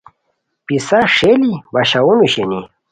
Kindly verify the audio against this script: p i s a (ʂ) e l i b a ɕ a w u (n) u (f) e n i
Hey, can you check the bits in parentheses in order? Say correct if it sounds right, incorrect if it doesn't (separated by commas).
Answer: correct, correct, incorrect